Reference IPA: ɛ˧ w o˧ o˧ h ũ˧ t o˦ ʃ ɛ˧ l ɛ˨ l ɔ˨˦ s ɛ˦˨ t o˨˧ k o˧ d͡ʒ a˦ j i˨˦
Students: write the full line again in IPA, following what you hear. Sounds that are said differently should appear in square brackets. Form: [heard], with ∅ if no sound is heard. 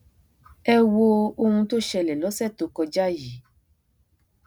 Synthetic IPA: ɛ˧ w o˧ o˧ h ũ˧ t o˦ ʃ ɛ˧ l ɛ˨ l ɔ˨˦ s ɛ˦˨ t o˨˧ k [ɔ˧] d͡ʒ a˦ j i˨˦